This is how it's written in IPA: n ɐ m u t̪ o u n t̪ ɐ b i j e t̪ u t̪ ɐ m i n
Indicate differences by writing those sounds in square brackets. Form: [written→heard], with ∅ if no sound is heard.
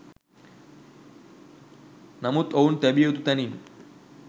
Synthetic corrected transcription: n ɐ m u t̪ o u n t̪ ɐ b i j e t̪ u t̪ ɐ [m→n] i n